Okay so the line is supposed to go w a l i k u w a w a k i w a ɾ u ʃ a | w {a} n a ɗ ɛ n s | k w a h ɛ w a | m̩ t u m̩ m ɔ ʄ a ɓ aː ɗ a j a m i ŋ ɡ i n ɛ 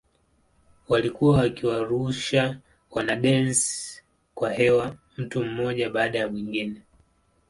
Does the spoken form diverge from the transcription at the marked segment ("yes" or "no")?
no